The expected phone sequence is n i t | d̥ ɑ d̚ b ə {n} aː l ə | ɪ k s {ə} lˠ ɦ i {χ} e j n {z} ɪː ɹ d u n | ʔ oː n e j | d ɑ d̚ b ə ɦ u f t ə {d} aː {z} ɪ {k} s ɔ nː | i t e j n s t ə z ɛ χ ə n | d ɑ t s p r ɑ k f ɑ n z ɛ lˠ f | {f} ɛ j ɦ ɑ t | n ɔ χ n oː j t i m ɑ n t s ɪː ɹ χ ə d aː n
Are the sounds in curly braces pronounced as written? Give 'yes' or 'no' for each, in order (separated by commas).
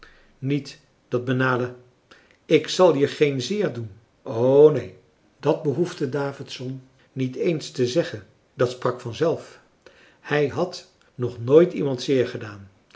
yes, no, yes, yes, yes, no, no, no